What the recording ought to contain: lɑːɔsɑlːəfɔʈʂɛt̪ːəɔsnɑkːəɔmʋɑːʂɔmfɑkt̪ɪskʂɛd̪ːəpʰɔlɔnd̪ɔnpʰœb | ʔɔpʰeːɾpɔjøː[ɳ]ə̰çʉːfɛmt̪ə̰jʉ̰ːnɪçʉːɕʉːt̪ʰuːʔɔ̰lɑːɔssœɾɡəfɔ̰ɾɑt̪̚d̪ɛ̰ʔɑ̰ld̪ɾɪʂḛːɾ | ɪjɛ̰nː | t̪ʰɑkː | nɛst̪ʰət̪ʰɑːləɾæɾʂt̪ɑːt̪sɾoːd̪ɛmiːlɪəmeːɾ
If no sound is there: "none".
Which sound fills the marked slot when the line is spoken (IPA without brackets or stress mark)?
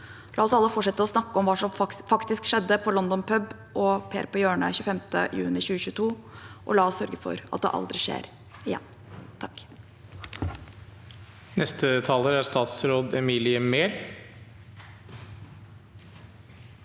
ɳ